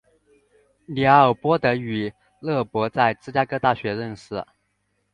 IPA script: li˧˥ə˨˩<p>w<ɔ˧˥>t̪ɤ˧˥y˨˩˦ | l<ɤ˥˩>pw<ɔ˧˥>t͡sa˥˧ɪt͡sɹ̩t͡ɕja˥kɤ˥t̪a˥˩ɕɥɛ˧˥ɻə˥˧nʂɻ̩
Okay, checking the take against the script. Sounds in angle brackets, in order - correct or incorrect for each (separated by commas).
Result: correct, incorrect, correct, correct